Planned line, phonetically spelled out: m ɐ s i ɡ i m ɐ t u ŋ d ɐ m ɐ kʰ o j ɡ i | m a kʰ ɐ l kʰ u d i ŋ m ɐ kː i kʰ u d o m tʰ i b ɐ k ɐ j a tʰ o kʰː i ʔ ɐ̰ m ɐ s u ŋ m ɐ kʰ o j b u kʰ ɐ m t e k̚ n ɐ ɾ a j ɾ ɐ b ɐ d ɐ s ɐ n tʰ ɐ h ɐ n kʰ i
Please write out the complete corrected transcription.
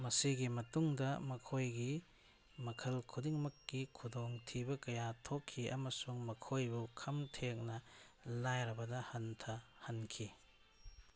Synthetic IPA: m ɐ s i ɡ i m ɐ t u ŋ d ɐ m ɐ kʰ o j ɡ i | m ɐ kʰ ɐ l kʰ u d i ŋ m ɐ kː i kʰ u d o ŋ tʰ i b ɐ k ɐ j a tʰ o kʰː i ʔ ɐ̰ m ɐ s u ŋ m ɐ kʰ o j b u kʰ ɐ m tʰ e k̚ n ɐ l a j ɾ ɐ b ɐ d ɐ h ɐ n tʰ ɐ h ɐ n kʰ i